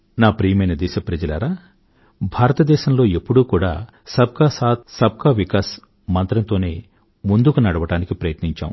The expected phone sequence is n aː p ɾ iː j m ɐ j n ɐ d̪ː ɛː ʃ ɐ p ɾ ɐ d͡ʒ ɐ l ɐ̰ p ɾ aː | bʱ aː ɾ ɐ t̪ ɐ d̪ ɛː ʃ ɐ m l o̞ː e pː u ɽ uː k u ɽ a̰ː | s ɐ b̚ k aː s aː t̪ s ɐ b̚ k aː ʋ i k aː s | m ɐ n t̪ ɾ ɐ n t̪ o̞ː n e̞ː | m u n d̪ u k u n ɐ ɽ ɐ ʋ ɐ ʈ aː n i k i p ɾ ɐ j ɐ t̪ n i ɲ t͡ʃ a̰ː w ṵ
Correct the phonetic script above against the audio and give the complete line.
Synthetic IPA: n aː p ɾ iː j m ɐ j n ɐ d̪ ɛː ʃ ɐ p ɾ ɐ d͡ʒ ɐ l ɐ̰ ɾ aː | bʱ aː ɾ ɐ t̪ ɐ d̪ ɛː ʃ ɐ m l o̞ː e pː u ɽ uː k uː ɽ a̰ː | s ɐ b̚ k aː s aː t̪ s ɐ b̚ k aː ʋ i k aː s | m ɐ n t̪ ɾ ɐ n t̪ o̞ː n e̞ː | m u n d̪ u k u n ɐ ɽ ɐ ʋ ɐ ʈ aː n i k i p ɾ ɐ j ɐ t̪ n i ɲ t͡ʃ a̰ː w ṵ